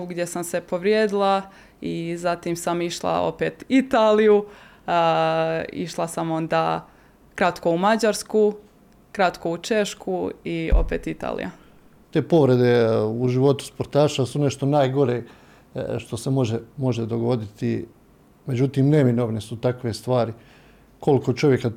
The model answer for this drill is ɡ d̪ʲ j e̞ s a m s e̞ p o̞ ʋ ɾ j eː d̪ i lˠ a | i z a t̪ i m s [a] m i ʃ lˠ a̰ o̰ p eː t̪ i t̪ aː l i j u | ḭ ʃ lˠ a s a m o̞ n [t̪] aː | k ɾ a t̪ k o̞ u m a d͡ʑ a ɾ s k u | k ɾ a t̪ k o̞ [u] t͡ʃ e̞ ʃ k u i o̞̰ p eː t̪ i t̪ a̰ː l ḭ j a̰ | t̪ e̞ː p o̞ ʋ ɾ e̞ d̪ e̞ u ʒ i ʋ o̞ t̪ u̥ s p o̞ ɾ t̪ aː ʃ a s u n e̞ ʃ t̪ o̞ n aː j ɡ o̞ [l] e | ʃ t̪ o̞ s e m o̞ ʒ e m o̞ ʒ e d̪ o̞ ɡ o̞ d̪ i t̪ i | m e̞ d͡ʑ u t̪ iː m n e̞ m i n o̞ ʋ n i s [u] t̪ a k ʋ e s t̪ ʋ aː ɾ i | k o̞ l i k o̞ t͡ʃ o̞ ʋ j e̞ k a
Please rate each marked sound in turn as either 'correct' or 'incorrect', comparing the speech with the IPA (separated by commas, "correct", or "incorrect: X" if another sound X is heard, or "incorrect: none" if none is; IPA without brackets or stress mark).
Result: correct, incorrect: d̪, correct, incorrect: ɾ, correct